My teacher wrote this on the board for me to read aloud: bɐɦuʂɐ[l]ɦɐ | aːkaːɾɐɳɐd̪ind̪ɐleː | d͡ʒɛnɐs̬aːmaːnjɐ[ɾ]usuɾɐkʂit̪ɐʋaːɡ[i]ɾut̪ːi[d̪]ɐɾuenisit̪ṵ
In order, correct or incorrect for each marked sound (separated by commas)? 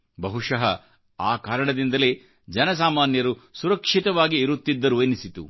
incorrect, correct, incorrect, incorrect